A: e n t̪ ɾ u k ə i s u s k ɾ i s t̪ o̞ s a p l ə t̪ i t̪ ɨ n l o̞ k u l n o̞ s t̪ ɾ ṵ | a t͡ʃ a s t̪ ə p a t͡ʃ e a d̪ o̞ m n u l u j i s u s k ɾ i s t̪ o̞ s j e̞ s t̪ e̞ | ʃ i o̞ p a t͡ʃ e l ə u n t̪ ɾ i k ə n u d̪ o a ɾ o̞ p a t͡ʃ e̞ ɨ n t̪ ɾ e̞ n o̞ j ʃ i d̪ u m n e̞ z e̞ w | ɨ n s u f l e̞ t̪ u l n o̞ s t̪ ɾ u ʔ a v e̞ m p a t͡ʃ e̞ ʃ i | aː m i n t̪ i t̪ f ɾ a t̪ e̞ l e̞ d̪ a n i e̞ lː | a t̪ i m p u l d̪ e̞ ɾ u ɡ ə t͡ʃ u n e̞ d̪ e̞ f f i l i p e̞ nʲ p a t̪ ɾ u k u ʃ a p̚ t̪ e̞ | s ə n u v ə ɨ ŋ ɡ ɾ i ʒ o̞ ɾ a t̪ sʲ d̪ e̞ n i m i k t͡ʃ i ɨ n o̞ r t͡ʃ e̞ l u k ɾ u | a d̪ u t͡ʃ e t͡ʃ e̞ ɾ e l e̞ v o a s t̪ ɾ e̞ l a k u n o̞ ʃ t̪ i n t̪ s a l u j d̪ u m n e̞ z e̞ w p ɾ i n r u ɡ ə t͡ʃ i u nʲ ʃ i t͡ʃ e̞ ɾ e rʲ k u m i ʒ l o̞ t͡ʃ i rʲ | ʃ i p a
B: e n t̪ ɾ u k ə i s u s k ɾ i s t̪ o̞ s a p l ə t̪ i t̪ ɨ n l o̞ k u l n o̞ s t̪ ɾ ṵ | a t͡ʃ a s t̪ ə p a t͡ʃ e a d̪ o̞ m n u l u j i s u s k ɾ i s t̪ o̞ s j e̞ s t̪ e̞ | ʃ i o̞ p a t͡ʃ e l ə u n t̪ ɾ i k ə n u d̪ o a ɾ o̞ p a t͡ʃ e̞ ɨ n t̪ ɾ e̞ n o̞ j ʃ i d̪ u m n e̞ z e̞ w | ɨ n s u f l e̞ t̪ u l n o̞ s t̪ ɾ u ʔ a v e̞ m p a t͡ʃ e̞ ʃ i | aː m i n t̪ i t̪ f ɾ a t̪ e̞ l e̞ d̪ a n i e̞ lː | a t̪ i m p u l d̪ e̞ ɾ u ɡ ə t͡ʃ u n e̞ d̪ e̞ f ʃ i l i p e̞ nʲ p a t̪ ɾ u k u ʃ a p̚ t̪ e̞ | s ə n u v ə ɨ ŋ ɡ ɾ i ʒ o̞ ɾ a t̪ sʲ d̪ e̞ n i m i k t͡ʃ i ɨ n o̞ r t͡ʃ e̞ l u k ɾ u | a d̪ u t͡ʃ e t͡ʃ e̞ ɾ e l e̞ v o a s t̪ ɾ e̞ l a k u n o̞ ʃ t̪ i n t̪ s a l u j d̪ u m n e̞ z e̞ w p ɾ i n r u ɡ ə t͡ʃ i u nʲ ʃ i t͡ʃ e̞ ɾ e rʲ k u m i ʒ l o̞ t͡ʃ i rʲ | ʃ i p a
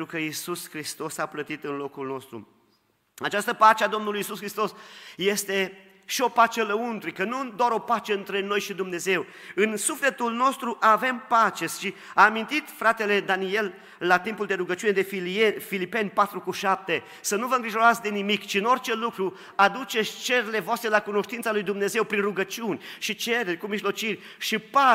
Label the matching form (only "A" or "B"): A